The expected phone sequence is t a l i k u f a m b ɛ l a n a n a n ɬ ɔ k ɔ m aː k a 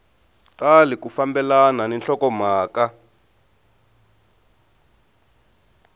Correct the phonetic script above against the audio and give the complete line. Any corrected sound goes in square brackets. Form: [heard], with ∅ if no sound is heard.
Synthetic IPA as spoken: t a l i k u f a m b ɛ l a n a n [ɛ] n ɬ ɔ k ɔ m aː k a